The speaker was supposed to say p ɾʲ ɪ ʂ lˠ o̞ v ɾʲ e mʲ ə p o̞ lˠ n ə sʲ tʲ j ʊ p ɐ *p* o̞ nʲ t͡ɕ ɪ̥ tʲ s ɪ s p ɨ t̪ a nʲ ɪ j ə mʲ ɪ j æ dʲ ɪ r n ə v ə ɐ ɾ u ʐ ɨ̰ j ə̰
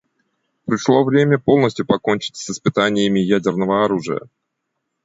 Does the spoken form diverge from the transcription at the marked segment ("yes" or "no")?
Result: yes